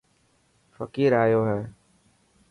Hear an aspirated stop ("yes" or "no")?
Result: no